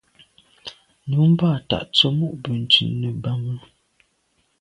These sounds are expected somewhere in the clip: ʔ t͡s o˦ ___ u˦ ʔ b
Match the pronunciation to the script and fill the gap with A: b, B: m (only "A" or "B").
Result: B